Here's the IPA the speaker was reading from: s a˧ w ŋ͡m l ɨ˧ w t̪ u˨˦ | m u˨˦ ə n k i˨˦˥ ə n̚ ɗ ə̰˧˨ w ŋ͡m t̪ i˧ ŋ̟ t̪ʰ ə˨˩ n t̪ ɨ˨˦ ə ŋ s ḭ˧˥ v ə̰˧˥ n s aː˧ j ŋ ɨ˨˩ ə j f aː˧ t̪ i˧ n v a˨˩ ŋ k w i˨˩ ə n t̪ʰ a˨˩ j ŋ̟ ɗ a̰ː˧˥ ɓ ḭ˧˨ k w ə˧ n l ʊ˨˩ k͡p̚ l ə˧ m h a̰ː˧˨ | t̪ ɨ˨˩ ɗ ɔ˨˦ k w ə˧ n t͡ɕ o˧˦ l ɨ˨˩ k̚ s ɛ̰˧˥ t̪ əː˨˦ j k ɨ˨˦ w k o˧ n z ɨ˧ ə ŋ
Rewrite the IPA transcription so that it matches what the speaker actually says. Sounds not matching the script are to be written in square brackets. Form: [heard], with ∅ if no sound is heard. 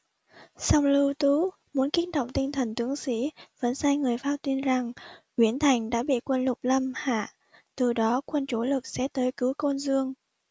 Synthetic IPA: s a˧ w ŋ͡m l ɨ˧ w t̪ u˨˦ | m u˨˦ ə n k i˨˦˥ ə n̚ ɗ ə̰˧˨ w ŋ͡m t̪ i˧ ŋ̟ t̪ʰ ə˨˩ n t̪ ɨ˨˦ ə ŋ s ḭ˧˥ v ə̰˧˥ n s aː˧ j ŋ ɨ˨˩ ə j f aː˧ t̪ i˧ n [z] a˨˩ ŋ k w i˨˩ ə n t̪ʰ a˨˩ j ŋ̟ ɗ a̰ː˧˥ ɓ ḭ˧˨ k w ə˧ n l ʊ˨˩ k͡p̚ l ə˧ m h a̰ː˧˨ | t̪ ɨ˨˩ ɗ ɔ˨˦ k w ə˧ n t͡ɕ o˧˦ l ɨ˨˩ k̚ s ɛ̰˧˥ t̪ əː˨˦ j k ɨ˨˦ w k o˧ n z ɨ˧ ə ŋ